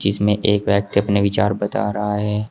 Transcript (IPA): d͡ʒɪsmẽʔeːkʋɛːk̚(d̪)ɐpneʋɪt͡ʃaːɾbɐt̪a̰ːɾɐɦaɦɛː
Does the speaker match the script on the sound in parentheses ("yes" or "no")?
no